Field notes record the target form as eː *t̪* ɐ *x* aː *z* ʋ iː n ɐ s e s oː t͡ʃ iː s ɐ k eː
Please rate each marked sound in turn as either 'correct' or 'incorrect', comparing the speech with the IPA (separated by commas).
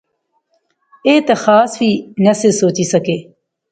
correct, correct, incorrect